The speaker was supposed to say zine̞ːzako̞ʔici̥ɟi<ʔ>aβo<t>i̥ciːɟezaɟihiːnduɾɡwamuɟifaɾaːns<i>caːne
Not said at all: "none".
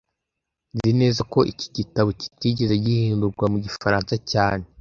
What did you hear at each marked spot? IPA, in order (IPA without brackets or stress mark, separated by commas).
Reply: t, c, a